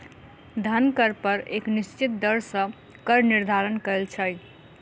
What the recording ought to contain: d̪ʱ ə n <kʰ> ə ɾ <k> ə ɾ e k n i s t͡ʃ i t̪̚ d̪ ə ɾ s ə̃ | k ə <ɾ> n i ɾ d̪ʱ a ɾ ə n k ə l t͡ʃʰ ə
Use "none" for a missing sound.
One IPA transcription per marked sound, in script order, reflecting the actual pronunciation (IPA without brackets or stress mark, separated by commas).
k, p, ɾ